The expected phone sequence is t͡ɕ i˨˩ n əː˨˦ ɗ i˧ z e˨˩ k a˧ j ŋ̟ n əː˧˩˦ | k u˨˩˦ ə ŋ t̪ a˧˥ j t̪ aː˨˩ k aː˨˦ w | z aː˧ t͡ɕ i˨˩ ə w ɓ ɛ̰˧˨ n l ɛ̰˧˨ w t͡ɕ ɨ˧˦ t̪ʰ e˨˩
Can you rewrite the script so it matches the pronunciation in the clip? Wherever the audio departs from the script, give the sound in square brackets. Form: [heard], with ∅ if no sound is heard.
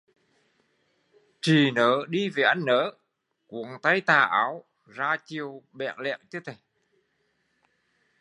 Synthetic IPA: t͡ɕ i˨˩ n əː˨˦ ɗ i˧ [v] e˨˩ [ʔ] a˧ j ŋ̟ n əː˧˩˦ | k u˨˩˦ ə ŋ t̪ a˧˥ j t̪ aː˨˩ [ʔ] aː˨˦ w | z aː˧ t͡ɕ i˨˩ ə w ɓ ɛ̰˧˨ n l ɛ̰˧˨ w t͡ɕ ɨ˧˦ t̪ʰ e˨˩